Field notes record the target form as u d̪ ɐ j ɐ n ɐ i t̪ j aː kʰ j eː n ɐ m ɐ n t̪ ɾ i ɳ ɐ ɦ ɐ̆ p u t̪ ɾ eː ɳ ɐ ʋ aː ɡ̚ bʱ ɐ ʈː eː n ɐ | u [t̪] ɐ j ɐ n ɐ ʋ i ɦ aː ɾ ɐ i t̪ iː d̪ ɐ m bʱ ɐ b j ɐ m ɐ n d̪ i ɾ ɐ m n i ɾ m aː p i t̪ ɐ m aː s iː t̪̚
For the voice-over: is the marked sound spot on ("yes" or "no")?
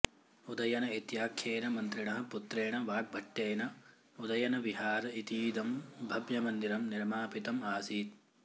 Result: no